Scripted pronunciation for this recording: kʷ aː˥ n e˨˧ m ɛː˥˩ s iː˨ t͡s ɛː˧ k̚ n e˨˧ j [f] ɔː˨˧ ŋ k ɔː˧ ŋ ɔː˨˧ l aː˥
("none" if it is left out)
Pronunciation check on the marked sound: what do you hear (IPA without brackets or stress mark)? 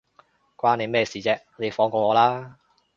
f